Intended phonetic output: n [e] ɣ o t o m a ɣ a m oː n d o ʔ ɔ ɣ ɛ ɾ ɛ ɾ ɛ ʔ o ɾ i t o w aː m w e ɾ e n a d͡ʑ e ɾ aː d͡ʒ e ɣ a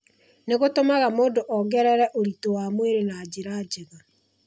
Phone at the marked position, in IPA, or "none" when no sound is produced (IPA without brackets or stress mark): e